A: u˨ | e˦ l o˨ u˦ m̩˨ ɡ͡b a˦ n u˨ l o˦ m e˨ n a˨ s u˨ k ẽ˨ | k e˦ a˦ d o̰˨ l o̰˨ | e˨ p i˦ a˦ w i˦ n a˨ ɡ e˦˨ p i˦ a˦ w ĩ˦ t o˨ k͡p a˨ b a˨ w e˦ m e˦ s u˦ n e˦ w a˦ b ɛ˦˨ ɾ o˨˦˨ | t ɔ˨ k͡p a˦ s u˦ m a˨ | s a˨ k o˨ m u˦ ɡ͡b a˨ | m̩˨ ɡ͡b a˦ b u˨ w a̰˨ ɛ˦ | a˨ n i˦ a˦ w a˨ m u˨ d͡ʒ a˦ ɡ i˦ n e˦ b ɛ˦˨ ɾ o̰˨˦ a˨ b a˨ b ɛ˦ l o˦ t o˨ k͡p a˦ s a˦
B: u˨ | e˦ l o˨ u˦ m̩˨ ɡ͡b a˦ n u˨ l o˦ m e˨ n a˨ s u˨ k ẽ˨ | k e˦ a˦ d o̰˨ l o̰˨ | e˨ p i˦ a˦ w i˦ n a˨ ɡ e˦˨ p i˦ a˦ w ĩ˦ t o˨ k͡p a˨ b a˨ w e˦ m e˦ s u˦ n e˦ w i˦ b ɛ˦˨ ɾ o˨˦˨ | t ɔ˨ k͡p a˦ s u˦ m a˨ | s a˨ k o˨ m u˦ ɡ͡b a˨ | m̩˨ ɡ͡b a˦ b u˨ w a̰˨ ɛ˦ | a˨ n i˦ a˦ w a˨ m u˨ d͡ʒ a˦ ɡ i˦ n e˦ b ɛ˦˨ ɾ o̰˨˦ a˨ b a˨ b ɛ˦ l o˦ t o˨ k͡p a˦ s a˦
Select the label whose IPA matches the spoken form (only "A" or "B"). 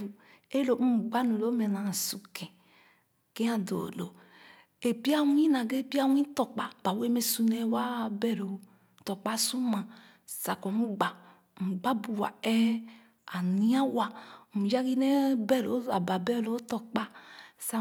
A